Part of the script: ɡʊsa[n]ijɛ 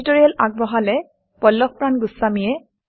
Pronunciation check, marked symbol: incorrect: m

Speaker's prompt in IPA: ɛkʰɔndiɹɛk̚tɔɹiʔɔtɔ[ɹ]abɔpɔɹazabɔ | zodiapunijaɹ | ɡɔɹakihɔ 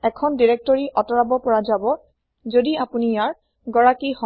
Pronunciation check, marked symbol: correct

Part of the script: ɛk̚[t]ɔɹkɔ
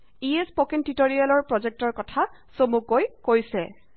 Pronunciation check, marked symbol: correct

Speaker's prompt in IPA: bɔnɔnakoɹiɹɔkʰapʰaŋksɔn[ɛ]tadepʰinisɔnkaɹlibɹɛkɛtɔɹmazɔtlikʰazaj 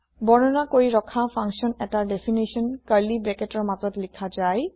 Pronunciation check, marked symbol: correct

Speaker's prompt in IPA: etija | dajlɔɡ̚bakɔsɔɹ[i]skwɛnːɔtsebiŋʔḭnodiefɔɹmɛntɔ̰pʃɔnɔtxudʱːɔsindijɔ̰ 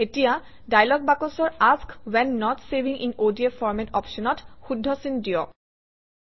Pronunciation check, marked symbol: incorrect: a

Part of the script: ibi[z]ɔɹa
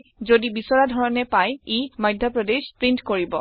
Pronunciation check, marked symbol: incorrect: s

